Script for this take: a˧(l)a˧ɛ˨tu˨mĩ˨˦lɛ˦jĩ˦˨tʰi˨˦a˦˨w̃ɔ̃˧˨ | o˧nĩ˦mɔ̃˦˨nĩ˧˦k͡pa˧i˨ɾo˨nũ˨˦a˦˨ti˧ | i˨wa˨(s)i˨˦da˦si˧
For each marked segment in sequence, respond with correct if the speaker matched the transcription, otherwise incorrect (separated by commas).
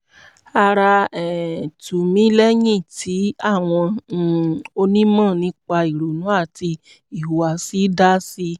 incorrect, correct